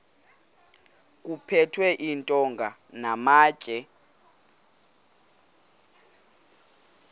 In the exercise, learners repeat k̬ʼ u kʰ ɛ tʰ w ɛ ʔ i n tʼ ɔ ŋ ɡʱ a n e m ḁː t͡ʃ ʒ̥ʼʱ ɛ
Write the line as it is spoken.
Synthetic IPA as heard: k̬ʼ u pʰ ɛ tʰ w ɛ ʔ i n tʼ ɔ ŋ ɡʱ a n a m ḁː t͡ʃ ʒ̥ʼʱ ɛ